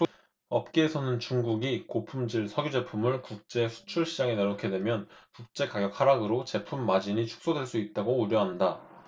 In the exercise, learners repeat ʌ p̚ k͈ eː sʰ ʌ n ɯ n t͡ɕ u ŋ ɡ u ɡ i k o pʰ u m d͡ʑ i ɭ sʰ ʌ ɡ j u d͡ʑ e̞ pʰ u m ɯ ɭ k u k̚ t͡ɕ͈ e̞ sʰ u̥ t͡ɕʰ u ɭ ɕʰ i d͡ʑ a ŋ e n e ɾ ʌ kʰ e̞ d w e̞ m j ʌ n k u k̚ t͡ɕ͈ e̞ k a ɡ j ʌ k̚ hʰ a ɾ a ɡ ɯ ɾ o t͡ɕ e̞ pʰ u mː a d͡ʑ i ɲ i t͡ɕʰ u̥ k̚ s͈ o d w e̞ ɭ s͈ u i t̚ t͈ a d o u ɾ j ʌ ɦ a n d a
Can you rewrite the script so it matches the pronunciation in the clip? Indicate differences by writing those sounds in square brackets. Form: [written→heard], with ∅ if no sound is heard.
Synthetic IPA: ʌ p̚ k͈ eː sʰ ʌ n ɯ n t͡ɕ u ŋ ɡ u ɡ i k o pʰ u m d͡ʑ i ɭ sʰ ʌ ɡ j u d͡ʑ e̞ pʰ u m ɯ ɭ k u k̚ t͡ɕ͈ e̞ sʰ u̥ t͡ɕʰ u ɭ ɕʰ i d͡ʑ a ŋ e n e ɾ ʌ kʰ e̞ d w e̞ m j ʌ n k u k̚ t͡ɕ͈ e̞ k a ɡ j ʌ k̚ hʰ a ɾ a ɡ ɯ ɾ o t͡ɕ e̞ pʰ u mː a d͡ʑ i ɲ i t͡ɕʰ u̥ k̚ s͈ o d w e̞ ɭ s͈ u i t̚ t͈ a [d→ɡ] o u ɾ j ʌ ɦ a n d a